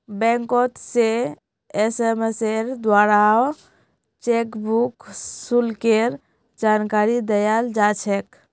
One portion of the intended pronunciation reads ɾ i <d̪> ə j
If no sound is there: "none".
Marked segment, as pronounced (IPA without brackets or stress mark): d̪